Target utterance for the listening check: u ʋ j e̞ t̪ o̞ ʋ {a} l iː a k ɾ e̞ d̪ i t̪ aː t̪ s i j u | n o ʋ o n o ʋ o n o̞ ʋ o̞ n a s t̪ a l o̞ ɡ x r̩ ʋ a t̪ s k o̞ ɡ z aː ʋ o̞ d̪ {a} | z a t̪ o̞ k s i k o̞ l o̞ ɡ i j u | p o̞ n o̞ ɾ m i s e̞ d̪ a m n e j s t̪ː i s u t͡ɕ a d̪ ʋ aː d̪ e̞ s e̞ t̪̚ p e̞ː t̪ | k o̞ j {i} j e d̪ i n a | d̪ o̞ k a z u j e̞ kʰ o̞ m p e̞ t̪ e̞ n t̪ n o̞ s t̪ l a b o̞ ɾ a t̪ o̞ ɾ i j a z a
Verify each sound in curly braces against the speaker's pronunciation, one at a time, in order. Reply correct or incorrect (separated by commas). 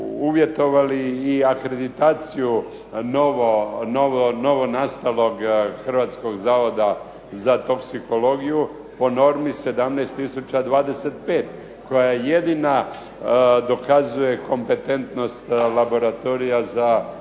correct, correct, incorrect